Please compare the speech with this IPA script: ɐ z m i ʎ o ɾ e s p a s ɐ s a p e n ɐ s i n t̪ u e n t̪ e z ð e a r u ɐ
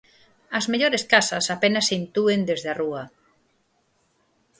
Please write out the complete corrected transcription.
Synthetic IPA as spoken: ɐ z m e ʎ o ɾ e s k a s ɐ s a p e n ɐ s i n t̪ u e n d̪ e z ð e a r u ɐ